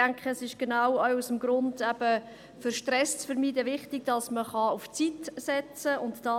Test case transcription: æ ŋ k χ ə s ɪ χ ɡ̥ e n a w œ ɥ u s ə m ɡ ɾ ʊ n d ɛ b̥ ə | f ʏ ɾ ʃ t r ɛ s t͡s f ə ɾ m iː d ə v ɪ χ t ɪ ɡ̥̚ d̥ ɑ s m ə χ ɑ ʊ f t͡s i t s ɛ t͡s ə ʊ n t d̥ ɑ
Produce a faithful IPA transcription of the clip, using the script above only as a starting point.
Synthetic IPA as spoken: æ ŋ k χ ə s ɪ ʃ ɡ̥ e n a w œ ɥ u s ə m ɡ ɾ ʊ n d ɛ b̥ ə | f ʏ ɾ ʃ t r ɛ s t͡s f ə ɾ m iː d ə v ɪ χ t ɪ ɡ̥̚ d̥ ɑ s m ə χ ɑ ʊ f t͡s i t s ɛ t͡s ə ʊ n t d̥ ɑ